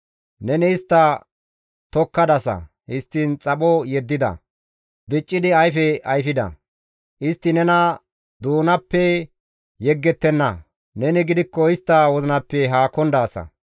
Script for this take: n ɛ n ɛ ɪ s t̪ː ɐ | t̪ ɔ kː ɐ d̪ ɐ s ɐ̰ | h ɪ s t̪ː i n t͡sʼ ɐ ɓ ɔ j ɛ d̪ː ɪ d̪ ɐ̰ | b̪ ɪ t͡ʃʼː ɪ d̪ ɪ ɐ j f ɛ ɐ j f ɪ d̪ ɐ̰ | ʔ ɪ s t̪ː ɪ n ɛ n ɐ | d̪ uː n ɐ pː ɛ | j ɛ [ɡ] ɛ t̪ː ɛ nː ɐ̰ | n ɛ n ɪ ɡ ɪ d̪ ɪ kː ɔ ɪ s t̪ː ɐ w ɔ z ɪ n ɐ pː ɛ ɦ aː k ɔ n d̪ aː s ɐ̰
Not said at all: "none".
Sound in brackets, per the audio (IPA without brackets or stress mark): ɡː